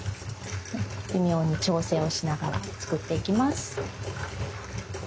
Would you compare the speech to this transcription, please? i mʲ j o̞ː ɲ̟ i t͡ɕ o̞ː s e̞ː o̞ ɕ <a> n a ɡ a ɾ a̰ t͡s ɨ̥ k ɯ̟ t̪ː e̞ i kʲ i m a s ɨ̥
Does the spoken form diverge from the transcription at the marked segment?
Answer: yes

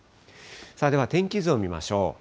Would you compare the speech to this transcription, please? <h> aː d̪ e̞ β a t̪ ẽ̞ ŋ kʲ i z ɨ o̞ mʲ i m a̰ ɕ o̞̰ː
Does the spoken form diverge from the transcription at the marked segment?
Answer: yes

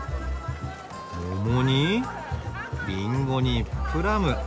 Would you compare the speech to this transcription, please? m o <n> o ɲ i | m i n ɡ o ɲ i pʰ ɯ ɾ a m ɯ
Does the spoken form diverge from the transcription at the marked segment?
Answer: yes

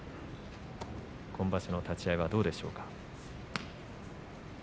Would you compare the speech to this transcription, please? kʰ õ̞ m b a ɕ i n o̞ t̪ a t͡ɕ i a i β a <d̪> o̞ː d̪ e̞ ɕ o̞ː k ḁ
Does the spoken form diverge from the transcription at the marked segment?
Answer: no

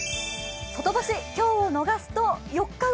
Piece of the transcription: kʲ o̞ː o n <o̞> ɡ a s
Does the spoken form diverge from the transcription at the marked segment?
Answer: no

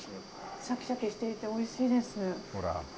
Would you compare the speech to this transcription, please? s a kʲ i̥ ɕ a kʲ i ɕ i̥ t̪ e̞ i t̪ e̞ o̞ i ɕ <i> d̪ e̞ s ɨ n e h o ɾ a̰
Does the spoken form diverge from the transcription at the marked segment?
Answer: yes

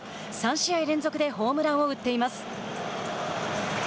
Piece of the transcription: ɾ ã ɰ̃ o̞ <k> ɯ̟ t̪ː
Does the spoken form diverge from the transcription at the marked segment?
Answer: yes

